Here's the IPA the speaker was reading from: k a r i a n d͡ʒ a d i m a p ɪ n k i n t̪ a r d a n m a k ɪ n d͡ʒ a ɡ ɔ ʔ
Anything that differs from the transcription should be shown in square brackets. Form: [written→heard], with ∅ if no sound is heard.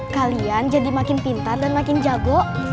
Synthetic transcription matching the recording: k a [r→l] i a n d͡ʒ a d i m a [p→k] ɪ n [k→p] i n t̪ a r d a n m a k ɪ n d͡ʒ a ɡ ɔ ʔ